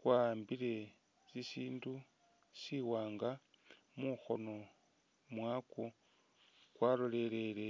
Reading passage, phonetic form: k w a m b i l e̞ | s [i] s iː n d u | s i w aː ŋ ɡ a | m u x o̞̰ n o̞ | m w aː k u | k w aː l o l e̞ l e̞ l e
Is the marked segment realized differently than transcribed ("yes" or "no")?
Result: no